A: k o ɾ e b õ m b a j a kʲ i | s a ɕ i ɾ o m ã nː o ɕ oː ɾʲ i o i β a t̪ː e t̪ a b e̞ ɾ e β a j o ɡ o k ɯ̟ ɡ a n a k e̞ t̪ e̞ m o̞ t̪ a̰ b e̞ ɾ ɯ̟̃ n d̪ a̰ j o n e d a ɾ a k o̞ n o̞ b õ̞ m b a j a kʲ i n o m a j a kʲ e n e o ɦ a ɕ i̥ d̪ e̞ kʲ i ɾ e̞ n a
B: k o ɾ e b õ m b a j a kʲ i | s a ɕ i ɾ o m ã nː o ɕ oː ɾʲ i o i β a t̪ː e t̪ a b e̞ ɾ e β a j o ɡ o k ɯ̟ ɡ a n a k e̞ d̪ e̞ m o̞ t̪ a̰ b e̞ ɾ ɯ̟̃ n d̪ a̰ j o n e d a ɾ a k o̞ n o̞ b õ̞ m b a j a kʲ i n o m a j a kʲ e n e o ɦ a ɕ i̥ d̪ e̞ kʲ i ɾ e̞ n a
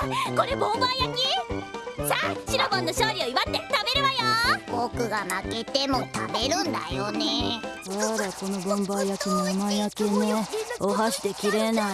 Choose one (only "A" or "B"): A